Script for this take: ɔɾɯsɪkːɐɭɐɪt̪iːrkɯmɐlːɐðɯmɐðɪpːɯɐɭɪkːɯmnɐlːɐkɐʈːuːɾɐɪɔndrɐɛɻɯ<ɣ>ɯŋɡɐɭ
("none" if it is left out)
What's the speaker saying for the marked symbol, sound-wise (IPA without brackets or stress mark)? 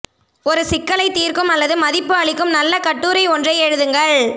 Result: ð